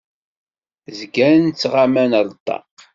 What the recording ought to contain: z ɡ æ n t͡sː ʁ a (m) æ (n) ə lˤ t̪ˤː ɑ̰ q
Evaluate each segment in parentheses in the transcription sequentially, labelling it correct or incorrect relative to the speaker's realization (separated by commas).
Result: correct, correct